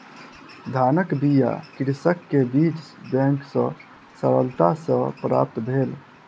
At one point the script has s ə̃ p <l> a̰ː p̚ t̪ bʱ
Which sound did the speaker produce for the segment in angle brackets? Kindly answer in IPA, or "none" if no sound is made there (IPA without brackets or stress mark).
ɾ